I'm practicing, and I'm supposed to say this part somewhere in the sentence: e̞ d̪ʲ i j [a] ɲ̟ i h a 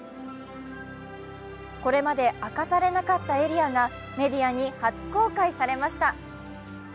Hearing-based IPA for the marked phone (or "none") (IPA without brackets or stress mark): a